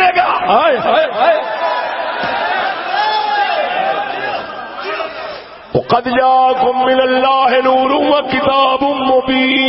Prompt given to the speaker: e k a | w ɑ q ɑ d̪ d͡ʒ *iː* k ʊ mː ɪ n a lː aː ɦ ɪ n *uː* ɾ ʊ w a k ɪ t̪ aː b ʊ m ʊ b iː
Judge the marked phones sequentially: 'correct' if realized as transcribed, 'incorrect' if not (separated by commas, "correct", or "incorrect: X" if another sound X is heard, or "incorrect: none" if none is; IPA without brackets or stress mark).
incorrect: aː, correct